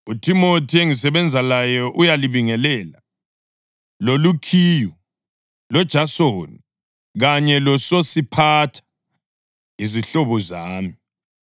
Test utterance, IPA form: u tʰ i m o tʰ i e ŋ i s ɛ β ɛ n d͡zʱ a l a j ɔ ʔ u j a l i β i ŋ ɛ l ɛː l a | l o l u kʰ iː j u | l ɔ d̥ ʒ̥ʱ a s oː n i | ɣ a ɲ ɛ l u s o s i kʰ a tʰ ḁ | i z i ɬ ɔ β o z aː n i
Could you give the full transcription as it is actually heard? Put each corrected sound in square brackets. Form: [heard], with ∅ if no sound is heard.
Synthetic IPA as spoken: u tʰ i m o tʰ i e ŋ i s ɛ β ɛ n d͡zʱ a l a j ɔ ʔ u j a l i β i ŋ ɛ l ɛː l a | l o l u kʰ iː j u | l ɔ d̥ ʒ̥ʱ a s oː n i | ɣ a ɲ ɛ l [ɔ] s o s i [pʰ] a tʰ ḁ | i z i ɬ ɔ β [ɔ] z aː [m] i

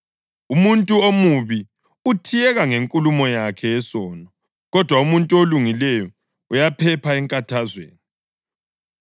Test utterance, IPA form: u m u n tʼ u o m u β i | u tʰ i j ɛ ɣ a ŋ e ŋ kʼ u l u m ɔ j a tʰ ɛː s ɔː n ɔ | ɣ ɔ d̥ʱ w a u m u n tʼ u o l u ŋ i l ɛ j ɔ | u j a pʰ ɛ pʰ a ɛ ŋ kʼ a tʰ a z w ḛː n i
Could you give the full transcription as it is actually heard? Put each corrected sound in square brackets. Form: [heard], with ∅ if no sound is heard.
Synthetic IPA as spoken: u m u n tʼ u o m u β i | u tʰ i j ɛ ɣ a ŋ e ŋ kʼ u l u m ɔ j a [kʰ] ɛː s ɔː n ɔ | ɣ ɔ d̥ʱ w a u m u n tʼ u o l u ŋ i l ɛ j ɔ | u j a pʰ ɛ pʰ a ɛ ŋ kʼ a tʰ a z w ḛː n i

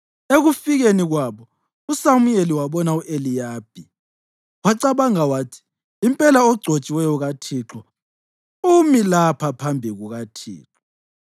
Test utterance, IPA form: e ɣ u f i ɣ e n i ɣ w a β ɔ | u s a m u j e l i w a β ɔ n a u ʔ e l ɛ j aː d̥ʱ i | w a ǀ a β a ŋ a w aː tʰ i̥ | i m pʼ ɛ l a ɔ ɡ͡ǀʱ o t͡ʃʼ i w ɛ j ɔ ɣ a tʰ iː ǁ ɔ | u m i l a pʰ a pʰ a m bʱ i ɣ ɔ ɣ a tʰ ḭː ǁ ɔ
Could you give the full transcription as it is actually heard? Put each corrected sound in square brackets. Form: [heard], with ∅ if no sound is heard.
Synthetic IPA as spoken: e ɣ u f i ɣ e n i ɣ w a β ɔ | u s a m u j e l i w a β ɔ n a u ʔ e l [i] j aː [b̥ʱ] i | w a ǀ a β a ŋ a w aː tʰ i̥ | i m pʼ ɛ l a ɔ ɡ͡ǀʱ o t͡ʃʼ i w ɛ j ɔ ɣ a tʰ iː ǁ ɔ | u m i l a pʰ a pʰ a m bʱ i ɣ [u] ɣ a tʰ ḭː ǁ ɔ

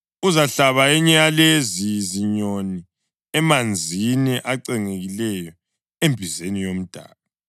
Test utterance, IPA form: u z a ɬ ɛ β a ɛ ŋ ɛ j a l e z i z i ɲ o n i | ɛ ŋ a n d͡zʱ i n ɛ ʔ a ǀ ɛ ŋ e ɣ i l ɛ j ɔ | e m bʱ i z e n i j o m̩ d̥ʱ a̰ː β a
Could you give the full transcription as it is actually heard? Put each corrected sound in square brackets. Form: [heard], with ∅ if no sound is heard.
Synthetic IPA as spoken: u z a ɬ [a] β a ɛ [ɲ] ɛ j a l e z i z i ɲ o n i | ɛ [m] a n d͡zʱ i n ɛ ʔ a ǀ ɛ ŋ e ɣ i l ɛ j ɔ | e m bʱ i z e n i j o m̩ d̥ʱ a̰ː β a

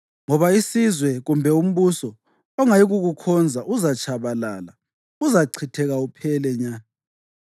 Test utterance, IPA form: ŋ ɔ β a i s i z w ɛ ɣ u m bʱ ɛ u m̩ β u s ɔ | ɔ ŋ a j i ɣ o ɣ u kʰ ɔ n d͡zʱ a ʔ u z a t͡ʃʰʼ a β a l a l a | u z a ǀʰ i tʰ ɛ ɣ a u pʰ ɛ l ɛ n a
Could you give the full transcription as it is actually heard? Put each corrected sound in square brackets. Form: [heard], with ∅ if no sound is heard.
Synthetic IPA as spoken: ŋ ɔ β a i s i z w ɛ ɣ u m bʱ ɛ u m̩ β u s ɔ | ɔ ŋ a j i ɣ [u] ɣ u kʰ ɔ n d͡zʱ a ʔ u z a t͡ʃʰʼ a β a l a l a | u z a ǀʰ i tʰ ɛ ɣ a u pʰ ɛ l ɛ [ɲ] a

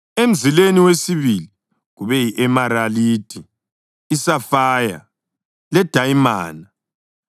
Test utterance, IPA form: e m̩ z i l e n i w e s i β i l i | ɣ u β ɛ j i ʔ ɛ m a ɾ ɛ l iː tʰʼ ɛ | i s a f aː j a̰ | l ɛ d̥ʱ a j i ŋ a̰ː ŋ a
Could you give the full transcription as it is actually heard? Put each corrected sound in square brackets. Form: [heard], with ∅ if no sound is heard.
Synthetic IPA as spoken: e m̩ z i l e n i w e s i β i l i | ɣ u β ɛ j i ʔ ɛ m a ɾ [a] l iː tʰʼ [i] | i s a f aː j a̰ | l ɛ d̥ʱ a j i [m] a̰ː [n] a

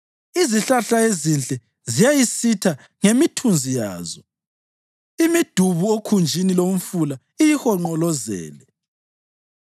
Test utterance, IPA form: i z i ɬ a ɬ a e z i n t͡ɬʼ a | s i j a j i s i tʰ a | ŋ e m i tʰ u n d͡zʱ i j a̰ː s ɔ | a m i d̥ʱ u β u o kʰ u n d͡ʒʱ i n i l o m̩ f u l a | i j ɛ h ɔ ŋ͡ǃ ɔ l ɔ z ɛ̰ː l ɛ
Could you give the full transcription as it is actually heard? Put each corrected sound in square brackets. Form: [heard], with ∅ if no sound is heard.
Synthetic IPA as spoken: i z i ɬ a ɬ a e z i n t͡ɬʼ [ɛ] | [z] i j a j i s i tʰ a | ŋ e m i tʰ u n d͡zʱ i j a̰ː [z] ɔ | [i] m i d̥ʱ u β u o kʰ u n d͡ʒʱ i n i l o m̩ f u l a | i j [i] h ɔ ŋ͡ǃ ɔ l ɔ z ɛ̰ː l ɛ

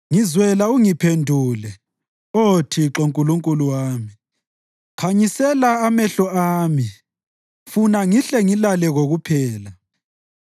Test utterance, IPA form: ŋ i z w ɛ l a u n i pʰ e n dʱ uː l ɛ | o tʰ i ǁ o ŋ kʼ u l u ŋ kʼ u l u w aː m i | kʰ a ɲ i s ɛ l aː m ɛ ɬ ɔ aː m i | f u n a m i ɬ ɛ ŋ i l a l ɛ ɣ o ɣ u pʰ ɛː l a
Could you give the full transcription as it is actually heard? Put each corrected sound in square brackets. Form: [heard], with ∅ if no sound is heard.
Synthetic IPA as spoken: ŋ i z w ɛ l a u [ŋ] i pʰ e n dʱ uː l ɛ | o tʰ i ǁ o ŋ kʼ u l u ŋ kʼ u l u w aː m i | kʰ a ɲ i s ɛ l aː m ɛ ɬ ɔ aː m i | f u n a [ŋ] i ɬ ɛ ŋ i l a l ɛ ɣ o ɣ u pʰ ɛː l a

